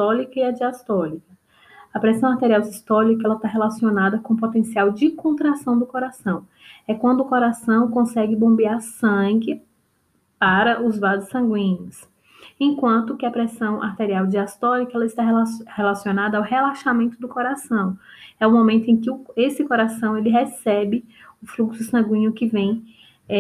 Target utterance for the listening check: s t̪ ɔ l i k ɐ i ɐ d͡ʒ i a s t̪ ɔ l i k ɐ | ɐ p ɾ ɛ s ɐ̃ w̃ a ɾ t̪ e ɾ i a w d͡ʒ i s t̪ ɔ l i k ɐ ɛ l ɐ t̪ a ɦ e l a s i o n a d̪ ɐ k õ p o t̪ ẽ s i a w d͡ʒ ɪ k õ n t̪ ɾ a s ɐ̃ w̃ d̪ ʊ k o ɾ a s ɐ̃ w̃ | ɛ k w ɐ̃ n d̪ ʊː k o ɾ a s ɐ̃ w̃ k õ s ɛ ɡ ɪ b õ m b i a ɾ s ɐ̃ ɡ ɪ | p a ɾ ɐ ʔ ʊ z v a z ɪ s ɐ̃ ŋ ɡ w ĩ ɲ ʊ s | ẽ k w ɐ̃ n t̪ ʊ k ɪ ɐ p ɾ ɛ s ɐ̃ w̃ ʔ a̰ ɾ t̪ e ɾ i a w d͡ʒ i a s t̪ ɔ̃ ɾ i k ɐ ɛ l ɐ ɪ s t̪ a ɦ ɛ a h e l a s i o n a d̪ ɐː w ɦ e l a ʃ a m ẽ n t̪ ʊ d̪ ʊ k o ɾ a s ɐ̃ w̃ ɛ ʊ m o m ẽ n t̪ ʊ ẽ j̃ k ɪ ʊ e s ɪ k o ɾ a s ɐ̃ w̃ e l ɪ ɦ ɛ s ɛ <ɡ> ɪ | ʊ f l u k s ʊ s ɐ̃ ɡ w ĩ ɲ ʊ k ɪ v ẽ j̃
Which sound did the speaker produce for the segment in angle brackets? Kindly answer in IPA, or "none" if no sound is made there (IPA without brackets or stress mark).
b